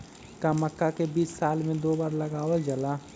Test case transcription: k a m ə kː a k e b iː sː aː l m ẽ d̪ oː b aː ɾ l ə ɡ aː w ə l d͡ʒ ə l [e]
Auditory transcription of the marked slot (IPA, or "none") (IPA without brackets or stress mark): a